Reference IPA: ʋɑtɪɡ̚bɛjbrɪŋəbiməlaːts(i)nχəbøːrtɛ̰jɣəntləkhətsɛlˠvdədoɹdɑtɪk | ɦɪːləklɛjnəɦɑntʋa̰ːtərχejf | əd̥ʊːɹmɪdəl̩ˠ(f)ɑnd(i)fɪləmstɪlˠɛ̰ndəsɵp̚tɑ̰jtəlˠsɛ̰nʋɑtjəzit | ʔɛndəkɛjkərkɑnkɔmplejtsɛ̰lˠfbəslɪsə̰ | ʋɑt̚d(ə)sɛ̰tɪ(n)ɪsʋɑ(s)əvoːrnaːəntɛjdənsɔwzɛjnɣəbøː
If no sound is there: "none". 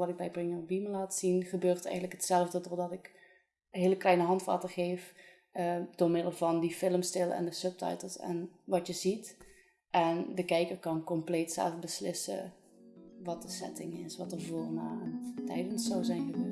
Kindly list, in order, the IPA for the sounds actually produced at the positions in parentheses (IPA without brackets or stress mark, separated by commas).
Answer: i, v, i, ə, ŋ, t